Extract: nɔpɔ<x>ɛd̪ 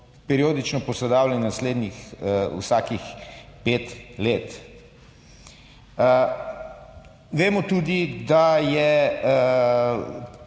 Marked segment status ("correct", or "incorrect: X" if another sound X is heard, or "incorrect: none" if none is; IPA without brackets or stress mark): incorrect: s